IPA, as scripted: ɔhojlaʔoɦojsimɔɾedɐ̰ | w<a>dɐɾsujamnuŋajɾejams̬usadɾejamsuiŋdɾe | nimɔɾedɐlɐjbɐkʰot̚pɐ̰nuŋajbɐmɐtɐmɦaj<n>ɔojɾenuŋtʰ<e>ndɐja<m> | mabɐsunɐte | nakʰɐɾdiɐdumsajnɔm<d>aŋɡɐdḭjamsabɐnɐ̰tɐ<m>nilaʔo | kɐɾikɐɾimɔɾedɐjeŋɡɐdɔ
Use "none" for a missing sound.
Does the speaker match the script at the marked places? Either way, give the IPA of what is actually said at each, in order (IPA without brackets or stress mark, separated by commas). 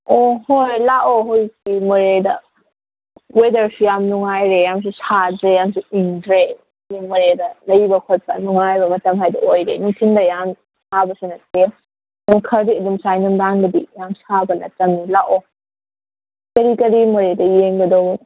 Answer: e, d, i, m, d, m